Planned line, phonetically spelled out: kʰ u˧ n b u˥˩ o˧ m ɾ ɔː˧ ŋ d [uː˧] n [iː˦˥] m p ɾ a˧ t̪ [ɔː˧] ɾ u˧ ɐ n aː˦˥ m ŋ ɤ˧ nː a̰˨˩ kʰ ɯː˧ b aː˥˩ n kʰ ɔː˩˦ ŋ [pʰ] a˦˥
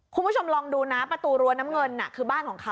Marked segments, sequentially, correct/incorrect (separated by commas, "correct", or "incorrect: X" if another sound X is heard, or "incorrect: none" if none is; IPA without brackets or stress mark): correct, incorrect: aː˦˥, incorrect: uː˧, incorrect: kʰ